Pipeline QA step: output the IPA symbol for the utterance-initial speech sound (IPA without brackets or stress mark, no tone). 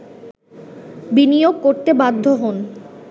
b